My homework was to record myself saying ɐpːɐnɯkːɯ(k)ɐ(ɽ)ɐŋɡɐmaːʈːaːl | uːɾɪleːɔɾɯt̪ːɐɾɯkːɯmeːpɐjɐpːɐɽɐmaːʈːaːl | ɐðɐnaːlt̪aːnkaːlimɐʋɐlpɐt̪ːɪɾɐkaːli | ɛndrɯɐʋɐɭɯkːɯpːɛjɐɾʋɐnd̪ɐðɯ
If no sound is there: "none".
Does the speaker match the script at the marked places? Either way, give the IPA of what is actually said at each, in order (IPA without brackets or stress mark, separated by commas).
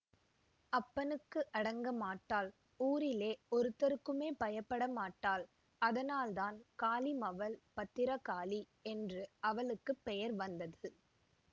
ʔ, ɽ